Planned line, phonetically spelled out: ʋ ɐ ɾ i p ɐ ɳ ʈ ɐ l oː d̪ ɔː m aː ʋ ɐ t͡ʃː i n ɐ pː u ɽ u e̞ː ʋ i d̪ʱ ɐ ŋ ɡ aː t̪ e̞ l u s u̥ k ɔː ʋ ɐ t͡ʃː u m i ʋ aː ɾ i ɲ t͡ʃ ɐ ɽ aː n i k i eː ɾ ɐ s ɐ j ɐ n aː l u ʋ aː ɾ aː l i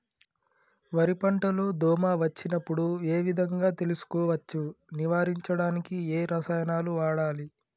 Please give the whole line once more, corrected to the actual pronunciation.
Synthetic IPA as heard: ʋ ɐ ɾ i p ɐ ɳ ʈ ɐ l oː d̪ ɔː m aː ʋ ɐ t͡ʃː i n ɐ pː u ɽ u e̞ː ʋ i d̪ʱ ɐ ŋ ɡ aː t̪ e̞ l u s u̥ k ɔː ʋ ɐ t͡ʃː u n i ʋ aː ɾ i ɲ t͡ʃ ɐ ɽ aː n i k i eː ɾ ɐ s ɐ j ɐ n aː l u ʋ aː ɽ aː l i